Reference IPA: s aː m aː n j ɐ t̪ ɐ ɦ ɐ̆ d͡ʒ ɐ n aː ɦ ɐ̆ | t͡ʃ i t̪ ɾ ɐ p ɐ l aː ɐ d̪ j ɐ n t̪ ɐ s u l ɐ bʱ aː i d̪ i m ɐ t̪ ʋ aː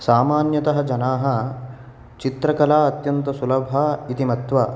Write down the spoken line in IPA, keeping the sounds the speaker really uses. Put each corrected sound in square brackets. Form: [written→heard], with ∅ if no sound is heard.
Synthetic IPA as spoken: s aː m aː n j ɐ t̪ ɐ ɦ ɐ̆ d͡ʒ ɐ n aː ɦ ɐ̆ | t͡ʃ i t̪ ɾ ɐ [p→k] ɐ l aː ɐ [d̪→t̪] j ɐ n t̪ ɐ s u l ɐ bʱ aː i [d̪→t̪] i m ɐ t̪ ʋ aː

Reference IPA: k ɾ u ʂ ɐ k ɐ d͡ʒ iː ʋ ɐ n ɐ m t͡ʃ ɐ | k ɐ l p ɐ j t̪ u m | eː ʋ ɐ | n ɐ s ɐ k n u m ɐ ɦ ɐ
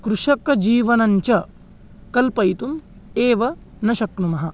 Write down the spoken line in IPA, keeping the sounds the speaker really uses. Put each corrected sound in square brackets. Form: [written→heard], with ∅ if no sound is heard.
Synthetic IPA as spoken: k ɾ u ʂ ɐ k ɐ d͡ʒ iː ʋ ɐ n ɐ [m→ɲ] t͡ʃ ɐ | k ɐ l p ɐ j t̪ u m | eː ʋ ɐ | n ɐ [s→ʃ] ɐ k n u m ɐ ɦ ɐ

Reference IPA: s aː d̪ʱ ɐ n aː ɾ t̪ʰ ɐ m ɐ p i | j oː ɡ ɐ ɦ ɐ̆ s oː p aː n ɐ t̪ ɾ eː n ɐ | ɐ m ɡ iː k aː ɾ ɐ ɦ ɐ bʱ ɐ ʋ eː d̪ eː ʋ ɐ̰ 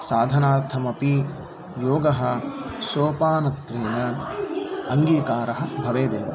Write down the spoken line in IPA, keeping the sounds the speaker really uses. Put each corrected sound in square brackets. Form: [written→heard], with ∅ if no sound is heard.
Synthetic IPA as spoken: s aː d̪ʱ ɐ n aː ɾ t̪ʰ ɐ m ɐ p i | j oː ɡ ɐ ɦ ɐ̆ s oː p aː n ɐ t̪ ɾ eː n ɐ | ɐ [m→ŋ] ɡ iː k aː ɾ ɐ ɦ ɐ bʱ ɐ ʋ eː d̪ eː ʋ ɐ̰

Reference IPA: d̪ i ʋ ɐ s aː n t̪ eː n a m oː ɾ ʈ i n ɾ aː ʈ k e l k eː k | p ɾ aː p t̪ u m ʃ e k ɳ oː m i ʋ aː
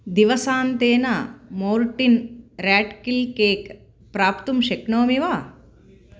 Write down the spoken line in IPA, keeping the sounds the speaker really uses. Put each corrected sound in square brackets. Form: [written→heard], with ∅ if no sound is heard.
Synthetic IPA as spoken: d̪ i ʋ ɐ s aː n t̪ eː n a m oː ɾ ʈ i n ɾ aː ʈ k [e→i] l k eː k | p ɾ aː p t̪ u m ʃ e k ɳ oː m i ʋ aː

